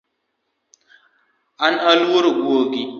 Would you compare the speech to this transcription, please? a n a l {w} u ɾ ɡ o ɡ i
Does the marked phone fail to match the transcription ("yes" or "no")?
no